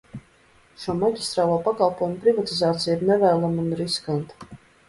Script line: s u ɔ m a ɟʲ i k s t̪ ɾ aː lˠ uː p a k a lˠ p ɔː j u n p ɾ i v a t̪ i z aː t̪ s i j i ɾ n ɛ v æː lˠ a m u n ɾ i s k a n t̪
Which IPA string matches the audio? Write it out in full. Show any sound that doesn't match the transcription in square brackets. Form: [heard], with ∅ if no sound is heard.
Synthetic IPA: [ʃ] u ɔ m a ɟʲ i [∅] s t̪ ɾ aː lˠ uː p a k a lˠ p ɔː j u [m] p ɾ i v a t̪ i z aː t̪ s i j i ɾ n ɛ v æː lˠ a m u n ɾ i s k a n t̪